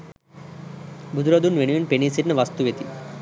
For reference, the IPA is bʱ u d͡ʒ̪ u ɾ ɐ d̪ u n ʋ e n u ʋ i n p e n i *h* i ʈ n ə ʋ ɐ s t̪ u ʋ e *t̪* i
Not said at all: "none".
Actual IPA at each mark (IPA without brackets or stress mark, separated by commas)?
s, t̪